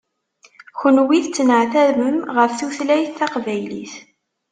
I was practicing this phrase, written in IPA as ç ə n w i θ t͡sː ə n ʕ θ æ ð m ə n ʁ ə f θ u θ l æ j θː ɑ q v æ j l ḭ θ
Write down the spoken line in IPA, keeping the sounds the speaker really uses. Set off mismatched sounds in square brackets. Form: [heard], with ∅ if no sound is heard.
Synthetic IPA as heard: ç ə n w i θ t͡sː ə n ʕ θ æ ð m ə [m] ʁ ə f θ u θ l æ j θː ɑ q v æ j l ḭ θ